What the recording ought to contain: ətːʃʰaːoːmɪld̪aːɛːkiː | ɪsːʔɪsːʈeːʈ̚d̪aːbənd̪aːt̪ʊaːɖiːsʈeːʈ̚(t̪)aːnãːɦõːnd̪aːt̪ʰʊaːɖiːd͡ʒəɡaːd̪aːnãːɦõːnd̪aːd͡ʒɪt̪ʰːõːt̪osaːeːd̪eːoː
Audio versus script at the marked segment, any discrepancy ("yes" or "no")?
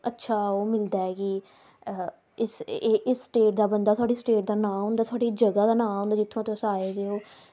yes